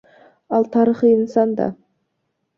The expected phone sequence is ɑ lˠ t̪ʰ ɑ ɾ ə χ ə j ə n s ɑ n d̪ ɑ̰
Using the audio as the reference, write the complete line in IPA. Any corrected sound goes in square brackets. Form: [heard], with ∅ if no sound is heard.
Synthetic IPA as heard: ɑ lˠ t̪ʰ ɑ ɾ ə χ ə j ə n s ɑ n d̪ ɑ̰